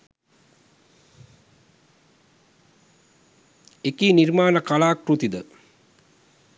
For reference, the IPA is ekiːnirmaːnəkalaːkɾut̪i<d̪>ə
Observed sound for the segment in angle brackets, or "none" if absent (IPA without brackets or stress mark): d̪